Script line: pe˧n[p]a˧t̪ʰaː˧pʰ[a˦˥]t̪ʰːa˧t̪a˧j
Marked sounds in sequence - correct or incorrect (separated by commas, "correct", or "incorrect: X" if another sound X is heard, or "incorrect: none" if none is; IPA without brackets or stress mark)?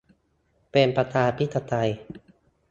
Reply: correct, incorrect: i˦˥